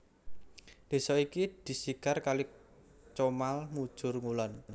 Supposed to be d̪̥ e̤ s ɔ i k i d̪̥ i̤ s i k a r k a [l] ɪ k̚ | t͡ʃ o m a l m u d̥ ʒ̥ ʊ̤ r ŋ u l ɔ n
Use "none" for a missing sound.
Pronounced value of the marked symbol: l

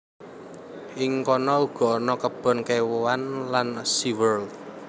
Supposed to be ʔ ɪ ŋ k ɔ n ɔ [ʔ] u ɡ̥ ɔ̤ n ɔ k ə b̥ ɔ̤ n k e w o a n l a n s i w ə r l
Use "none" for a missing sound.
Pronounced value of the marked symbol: none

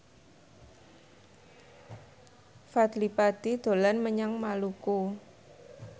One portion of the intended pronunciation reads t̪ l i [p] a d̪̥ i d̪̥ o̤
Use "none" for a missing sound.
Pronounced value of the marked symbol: p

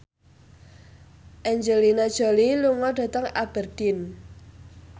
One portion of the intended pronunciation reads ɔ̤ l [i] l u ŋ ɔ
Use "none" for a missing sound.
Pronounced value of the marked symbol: i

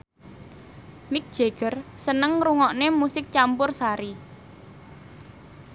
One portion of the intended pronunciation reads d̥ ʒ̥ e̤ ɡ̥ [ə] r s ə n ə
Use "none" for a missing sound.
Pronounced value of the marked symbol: ə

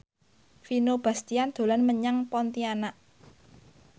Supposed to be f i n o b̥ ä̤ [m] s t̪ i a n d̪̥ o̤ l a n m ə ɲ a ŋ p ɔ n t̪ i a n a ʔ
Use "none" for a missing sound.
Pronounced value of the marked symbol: none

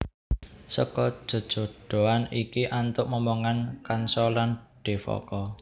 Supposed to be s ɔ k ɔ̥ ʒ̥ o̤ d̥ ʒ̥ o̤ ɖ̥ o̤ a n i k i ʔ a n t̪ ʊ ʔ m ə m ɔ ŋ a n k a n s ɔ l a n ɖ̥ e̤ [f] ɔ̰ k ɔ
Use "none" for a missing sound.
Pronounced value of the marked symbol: f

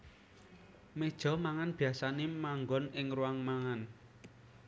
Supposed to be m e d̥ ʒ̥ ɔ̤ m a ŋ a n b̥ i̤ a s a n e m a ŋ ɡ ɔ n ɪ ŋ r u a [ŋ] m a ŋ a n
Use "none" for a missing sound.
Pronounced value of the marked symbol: ŋ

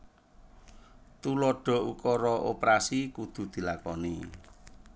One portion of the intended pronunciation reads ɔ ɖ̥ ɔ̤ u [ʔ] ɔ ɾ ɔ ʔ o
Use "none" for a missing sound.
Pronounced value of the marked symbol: k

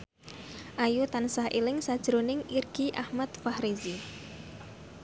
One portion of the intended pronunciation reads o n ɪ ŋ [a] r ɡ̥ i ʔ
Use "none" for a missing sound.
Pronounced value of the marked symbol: i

